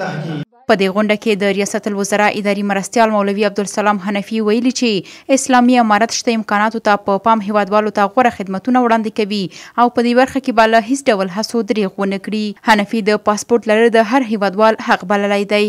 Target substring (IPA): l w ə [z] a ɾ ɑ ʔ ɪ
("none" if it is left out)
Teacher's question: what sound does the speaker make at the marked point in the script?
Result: z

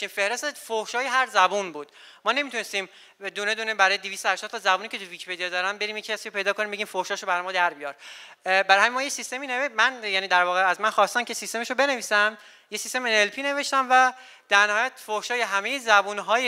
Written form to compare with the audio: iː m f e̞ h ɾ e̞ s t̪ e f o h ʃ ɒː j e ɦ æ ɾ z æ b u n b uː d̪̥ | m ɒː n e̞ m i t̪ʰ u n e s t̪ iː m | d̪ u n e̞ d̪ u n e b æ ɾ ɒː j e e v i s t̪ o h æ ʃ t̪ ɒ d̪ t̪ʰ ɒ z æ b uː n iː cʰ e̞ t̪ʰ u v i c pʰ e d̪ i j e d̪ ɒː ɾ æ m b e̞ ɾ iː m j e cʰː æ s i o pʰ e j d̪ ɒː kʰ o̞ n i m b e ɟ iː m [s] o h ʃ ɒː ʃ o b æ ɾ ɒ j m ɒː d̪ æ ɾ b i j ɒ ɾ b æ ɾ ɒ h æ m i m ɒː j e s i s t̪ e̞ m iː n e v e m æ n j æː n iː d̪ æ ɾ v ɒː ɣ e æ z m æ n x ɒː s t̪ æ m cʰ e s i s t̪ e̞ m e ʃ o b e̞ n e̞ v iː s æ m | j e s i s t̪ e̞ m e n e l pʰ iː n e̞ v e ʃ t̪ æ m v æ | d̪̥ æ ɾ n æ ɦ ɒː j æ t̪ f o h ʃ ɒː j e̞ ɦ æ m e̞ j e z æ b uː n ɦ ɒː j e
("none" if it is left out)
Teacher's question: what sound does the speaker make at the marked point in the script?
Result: f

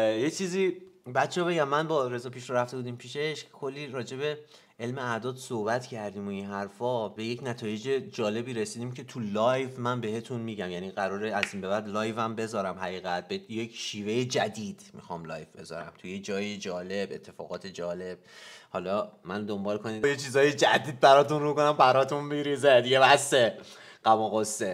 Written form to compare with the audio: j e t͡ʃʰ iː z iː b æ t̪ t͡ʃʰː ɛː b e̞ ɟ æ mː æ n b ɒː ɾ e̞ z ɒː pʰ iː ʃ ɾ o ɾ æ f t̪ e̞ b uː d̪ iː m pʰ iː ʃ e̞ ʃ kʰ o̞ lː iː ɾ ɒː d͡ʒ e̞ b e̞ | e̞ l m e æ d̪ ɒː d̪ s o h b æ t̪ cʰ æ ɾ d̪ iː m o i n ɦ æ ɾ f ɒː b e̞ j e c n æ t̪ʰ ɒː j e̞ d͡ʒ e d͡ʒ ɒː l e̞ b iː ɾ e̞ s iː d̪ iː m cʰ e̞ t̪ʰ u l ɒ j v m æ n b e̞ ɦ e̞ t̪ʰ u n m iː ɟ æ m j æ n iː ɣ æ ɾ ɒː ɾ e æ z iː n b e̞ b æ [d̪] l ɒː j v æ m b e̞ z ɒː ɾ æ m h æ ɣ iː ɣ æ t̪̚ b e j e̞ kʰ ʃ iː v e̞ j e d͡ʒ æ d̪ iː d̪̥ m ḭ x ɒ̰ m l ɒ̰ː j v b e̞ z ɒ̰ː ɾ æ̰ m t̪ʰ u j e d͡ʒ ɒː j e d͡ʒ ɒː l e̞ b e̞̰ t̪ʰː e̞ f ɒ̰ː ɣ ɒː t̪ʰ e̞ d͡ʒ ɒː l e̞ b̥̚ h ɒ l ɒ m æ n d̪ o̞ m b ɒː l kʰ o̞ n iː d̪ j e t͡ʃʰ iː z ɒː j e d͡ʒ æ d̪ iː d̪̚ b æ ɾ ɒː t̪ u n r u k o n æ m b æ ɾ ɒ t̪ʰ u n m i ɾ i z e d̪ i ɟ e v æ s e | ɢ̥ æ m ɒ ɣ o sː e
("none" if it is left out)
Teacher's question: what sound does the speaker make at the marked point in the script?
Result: d̪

